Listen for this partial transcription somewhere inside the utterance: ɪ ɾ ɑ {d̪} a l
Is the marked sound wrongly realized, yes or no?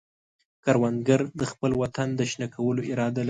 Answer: no